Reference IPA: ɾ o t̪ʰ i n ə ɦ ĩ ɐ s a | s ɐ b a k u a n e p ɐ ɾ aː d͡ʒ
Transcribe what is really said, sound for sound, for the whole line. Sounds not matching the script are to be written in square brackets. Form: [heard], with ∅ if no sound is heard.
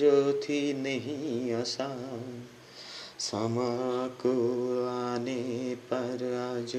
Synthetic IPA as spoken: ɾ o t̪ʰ i n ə ɦ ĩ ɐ s a | s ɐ [m] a k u a n e p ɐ ɾ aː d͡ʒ